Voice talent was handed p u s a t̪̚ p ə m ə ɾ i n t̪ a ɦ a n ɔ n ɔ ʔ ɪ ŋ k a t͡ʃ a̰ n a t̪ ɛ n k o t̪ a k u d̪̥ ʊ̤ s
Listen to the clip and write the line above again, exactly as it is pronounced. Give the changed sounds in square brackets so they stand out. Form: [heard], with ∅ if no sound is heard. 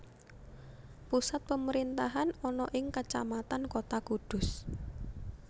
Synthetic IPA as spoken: p u s a t̪̚ p ə m ə ɾ i n t̪ a ɦ a n ɔ n ɔ ʔ ɪ ŋ k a t͡ʃ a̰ [m] a t̪ [a] n k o t̪ a k u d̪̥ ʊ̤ s

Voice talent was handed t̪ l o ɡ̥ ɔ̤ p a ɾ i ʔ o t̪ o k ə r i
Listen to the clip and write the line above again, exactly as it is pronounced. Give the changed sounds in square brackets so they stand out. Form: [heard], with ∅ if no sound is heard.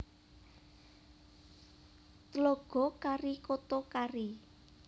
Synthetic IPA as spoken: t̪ l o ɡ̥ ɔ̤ [k] a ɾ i [k] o t̪ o k [a] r i

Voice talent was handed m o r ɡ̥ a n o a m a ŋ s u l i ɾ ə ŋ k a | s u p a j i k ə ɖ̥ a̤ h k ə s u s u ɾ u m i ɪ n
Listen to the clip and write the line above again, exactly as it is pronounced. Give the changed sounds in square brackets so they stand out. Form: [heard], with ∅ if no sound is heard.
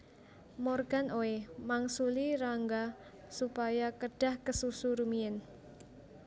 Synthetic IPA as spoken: m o r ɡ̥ a n o [e] m a ŋ s u l i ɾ [a] ŋ [ɡ] a | s u p a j [a] k ə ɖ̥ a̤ h k ə s u s u ɾ u m i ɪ n

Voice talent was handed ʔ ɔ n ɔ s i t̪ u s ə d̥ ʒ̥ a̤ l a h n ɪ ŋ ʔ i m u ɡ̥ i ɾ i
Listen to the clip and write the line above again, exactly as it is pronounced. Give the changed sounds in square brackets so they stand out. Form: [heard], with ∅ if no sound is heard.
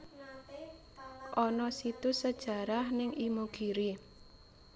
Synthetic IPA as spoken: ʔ ɔ n ɔ s i t̪ u s ə d̥ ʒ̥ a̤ [ɾ] a h n ɪ ŋ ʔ i m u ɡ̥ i ɾ i

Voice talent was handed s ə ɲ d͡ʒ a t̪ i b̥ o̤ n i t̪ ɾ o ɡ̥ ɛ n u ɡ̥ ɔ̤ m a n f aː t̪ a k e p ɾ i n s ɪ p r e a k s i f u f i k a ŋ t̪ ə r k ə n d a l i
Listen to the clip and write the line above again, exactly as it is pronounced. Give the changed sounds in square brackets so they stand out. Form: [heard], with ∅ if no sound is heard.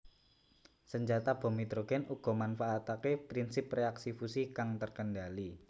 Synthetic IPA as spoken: s ə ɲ d͡ʒ a t̪ [a] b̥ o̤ [m] i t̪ ɾ o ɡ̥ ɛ n u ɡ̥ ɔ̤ m a n f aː t̪ a k e p ɾ i n s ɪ p r e a k s i f u [s] i k a ŋ t̪ ə r k ə n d a l i

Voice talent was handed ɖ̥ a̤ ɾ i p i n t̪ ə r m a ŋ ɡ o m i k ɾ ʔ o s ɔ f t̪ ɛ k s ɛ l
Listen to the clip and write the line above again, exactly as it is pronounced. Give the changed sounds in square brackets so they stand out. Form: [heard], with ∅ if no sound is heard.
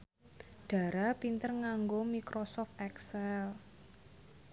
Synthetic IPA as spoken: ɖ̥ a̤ ɾ [a] p i n t̪ ə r [ŋ] a ŋ ɡ o m i k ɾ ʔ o s ɔ f t̪ ɛ k s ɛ l

